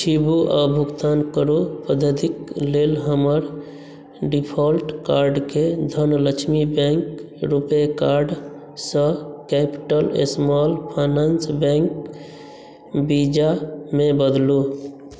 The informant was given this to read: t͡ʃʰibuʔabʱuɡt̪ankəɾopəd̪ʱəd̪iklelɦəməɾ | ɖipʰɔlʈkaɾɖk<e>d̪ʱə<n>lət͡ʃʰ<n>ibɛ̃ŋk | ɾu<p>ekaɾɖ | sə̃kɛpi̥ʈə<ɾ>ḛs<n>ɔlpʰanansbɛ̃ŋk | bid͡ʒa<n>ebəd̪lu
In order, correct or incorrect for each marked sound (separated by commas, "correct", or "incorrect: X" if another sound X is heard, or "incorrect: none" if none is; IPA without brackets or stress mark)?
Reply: correct, correct, incorrect: m, correct, incorrect: l, incorrect: m, incorrect: m